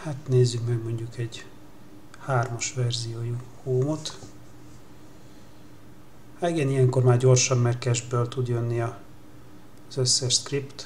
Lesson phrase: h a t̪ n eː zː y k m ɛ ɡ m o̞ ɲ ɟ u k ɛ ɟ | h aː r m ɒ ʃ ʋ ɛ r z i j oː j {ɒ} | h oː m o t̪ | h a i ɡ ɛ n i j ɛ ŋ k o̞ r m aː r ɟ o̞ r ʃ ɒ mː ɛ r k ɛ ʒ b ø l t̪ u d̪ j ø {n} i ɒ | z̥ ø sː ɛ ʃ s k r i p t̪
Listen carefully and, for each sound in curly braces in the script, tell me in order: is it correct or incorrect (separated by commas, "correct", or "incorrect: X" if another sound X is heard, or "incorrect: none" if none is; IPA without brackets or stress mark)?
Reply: incorrect: u, incorrect: nː